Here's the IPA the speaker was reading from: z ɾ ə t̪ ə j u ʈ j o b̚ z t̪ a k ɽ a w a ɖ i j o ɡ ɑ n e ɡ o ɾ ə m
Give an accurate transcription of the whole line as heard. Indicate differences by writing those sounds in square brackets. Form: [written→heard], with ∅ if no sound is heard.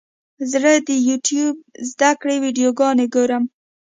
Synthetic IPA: z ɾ ə [t̪→d̪] ə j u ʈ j [o→u] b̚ z [t̪→d̪] a k ɽ [a→e] w [a→i] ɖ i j o ɡ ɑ n e ɡ o ɾ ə m